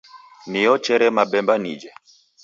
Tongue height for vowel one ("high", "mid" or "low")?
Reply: high